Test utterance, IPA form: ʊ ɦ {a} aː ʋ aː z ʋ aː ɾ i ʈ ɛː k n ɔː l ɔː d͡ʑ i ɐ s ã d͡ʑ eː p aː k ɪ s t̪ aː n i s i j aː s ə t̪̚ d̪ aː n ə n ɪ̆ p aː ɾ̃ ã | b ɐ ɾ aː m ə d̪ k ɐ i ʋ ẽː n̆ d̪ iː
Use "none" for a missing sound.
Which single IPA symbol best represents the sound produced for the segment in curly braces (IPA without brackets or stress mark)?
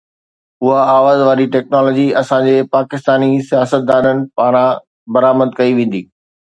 a